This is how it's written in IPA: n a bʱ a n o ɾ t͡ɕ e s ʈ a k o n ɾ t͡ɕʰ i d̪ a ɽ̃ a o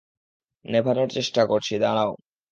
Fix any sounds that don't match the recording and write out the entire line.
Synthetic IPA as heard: n e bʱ a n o ɾ t͡ɕ e ʃ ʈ a k o ɾ t͡ɕʰ i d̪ a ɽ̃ a o